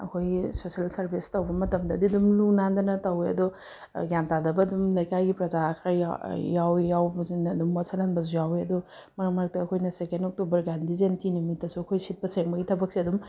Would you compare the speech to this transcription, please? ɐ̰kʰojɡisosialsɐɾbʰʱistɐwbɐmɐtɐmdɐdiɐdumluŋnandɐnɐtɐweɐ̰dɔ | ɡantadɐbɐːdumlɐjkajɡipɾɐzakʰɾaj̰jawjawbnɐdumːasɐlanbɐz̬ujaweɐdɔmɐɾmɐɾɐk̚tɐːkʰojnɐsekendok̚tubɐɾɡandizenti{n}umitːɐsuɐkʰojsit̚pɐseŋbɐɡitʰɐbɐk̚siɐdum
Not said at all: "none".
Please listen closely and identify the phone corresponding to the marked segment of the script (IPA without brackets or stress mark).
n